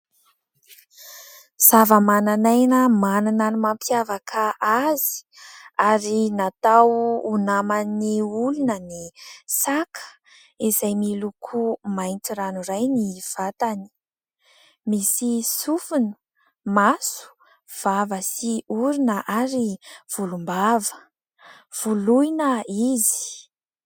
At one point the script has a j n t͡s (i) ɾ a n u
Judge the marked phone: correct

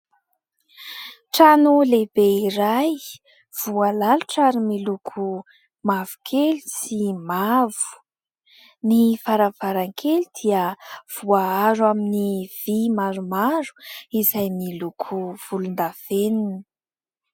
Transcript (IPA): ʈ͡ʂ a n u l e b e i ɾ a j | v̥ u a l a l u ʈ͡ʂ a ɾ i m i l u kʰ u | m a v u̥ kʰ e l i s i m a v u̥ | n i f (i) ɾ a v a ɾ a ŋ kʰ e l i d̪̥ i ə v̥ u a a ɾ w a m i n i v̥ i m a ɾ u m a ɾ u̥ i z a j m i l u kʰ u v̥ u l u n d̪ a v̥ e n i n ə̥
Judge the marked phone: incorrect: a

